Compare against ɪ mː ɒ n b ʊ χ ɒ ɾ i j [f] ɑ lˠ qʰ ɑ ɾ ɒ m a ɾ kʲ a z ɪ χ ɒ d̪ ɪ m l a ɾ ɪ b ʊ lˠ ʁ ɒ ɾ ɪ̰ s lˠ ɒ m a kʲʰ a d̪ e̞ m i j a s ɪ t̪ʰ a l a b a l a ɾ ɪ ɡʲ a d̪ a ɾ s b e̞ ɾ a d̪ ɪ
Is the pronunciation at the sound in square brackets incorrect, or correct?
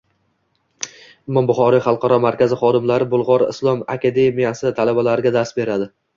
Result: incorrect